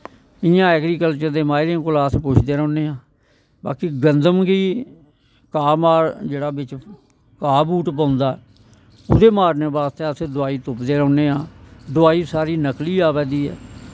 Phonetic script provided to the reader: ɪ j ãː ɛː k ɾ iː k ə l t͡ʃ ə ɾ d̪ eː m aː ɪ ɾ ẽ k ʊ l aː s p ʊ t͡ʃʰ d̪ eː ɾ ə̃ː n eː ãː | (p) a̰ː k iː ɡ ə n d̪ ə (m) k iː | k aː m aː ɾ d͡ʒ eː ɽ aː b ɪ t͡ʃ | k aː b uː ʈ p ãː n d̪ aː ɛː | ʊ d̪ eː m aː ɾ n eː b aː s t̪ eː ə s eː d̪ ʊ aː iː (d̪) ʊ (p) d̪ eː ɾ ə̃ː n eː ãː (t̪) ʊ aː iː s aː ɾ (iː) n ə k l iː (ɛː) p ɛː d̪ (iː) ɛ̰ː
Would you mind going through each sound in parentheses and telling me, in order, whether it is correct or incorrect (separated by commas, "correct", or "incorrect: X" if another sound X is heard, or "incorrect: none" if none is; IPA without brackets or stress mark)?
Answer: incorrect: b, correct, incorrect: t̪, correct, incorrect: d̪, correct, incorrect: aː, correct